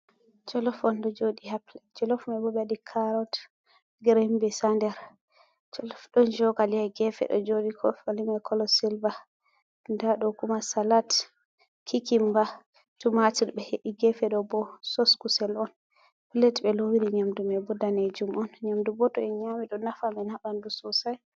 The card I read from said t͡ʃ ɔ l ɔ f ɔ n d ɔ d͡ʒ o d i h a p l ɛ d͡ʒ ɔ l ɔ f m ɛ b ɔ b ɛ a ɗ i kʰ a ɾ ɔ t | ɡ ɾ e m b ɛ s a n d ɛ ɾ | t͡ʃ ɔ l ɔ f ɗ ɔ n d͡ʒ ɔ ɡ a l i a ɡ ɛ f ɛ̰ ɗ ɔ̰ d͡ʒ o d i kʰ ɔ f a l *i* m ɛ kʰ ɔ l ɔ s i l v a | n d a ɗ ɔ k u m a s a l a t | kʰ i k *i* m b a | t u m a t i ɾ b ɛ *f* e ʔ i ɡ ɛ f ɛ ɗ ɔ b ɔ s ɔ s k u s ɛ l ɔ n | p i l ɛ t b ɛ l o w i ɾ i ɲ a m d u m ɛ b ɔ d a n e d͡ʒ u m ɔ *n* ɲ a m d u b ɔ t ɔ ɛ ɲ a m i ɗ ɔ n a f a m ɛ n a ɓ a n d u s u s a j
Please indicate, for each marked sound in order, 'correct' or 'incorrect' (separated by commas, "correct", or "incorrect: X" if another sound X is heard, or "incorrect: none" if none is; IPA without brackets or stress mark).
correct, correct, incorrect: h, correct